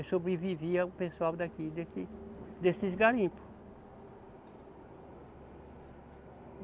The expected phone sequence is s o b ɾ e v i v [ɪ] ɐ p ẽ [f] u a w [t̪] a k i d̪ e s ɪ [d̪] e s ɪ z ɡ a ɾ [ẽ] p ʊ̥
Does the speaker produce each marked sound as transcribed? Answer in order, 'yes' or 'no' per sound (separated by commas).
no, no, no, yes, no